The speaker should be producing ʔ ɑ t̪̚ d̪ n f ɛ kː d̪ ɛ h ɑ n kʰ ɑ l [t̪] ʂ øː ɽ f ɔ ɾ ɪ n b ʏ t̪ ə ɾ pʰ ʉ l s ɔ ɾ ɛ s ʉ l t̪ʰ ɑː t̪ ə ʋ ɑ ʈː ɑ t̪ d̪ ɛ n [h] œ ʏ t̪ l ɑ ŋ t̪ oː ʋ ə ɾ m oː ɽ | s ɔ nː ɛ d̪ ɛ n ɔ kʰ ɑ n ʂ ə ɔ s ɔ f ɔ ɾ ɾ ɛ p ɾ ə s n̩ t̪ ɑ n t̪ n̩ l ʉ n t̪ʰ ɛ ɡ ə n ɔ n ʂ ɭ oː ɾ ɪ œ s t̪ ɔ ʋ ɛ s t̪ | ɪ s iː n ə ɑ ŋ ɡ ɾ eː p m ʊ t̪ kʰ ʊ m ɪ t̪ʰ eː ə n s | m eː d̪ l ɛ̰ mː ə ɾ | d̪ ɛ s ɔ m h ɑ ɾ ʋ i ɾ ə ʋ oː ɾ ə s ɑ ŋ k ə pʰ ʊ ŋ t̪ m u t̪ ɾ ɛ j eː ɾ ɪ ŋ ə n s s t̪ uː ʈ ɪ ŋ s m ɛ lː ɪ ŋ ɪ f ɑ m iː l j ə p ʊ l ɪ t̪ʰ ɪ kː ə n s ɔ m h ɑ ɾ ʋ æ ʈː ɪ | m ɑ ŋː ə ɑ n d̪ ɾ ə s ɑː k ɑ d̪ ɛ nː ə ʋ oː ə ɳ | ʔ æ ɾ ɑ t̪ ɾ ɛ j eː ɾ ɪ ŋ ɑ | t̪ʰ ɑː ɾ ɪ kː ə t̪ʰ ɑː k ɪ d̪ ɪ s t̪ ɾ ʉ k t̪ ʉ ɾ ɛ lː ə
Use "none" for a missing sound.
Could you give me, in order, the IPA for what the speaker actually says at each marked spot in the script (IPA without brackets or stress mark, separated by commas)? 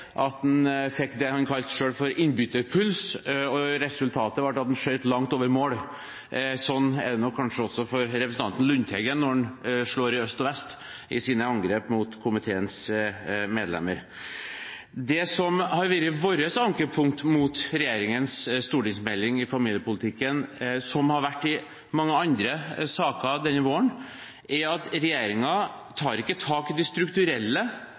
t̪, ʂ